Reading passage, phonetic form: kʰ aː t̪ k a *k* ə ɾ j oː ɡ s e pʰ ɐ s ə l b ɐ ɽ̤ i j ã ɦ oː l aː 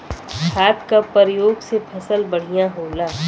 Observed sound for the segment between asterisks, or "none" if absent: p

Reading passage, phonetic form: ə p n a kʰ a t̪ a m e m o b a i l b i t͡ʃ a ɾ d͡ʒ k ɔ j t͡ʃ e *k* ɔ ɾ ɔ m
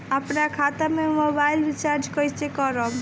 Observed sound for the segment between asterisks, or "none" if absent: k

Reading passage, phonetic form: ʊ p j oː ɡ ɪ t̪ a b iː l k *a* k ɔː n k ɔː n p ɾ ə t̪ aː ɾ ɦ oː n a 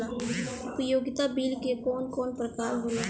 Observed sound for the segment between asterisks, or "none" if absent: e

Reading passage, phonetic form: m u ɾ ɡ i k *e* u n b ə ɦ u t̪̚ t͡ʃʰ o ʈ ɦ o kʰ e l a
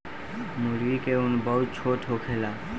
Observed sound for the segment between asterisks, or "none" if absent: e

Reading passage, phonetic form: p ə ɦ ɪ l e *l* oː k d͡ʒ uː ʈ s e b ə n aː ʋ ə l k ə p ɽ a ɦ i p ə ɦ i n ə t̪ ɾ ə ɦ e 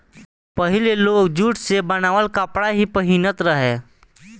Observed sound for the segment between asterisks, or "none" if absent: l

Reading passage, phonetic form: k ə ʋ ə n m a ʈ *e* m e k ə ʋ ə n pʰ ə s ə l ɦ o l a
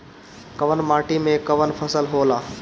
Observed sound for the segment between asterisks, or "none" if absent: i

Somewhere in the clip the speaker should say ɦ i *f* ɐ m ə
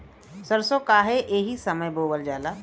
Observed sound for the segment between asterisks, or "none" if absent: s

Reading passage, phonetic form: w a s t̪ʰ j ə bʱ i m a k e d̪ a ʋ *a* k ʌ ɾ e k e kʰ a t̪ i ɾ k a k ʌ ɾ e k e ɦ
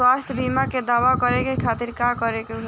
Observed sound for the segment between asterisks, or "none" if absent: a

